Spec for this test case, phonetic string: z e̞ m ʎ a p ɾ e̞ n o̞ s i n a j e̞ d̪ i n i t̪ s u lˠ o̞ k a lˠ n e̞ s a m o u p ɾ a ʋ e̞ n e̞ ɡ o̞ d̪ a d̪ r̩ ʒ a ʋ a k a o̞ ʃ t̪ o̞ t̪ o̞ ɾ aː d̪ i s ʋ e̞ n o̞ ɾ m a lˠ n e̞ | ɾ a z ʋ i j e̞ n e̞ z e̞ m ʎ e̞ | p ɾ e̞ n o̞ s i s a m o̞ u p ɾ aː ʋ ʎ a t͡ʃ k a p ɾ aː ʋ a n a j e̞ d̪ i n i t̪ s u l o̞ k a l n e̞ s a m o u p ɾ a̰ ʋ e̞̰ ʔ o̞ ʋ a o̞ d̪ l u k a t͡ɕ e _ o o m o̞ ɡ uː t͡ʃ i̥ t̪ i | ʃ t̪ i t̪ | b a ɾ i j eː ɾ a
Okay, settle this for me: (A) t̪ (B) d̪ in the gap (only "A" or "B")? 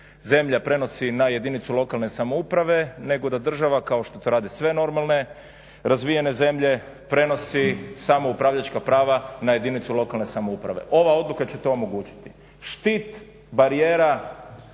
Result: A